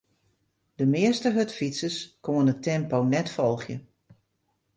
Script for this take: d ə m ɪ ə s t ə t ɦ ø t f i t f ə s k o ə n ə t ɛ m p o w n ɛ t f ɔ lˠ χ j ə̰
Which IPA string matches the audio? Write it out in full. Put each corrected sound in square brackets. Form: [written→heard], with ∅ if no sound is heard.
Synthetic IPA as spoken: d ə m ɪ ə s t ə [t→∅] ɦ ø t f i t [f→s] ə s k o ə n ə t ɛ m p o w n ɛ t f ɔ lˠ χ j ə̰